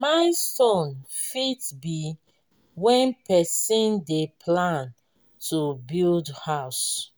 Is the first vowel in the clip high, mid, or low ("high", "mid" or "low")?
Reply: low